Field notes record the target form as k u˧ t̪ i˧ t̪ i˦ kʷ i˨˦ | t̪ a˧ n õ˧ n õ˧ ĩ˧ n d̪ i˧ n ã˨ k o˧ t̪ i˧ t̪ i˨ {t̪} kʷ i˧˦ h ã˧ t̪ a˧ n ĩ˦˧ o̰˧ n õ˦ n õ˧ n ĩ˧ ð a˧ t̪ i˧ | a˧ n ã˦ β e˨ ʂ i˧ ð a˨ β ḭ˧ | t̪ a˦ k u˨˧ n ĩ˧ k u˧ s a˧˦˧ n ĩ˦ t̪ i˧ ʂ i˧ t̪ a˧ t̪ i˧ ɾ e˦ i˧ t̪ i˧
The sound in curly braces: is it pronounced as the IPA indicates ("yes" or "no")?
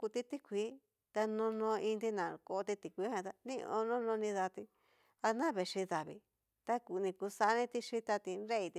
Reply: no